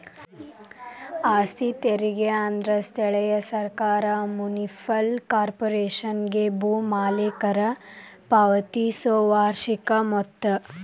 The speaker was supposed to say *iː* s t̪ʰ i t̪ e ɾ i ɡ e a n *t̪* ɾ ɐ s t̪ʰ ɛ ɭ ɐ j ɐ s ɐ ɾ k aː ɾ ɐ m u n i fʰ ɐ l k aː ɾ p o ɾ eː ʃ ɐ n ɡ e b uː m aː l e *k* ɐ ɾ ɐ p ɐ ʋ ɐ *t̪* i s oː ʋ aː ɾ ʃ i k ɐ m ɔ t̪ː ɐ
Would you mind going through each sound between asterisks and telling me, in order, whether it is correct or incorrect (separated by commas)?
incorrect, incorrect, correct, correct